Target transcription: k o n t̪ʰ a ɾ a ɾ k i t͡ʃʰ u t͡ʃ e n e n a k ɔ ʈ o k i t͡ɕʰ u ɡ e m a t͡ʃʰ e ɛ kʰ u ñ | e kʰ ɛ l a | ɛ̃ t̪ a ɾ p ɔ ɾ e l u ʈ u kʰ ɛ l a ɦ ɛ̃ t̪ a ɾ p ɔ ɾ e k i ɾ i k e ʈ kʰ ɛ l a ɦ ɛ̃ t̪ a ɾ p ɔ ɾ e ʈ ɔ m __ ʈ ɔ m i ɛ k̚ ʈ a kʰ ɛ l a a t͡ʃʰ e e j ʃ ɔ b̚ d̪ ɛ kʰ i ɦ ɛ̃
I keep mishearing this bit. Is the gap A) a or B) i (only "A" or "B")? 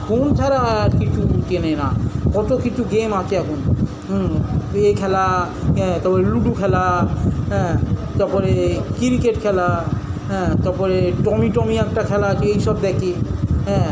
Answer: B